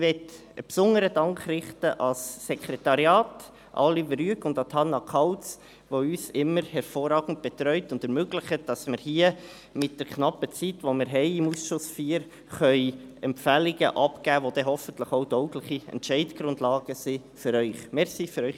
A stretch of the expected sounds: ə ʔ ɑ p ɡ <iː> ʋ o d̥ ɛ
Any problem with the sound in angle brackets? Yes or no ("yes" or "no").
yes